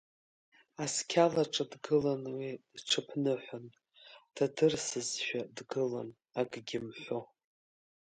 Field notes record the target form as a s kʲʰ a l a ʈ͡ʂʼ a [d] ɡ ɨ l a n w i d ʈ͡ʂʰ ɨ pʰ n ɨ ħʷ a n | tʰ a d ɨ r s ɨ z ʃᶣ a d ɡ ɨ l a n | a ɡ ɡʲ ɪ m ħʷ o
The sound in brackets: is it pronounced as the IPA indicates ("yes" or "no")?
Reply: yes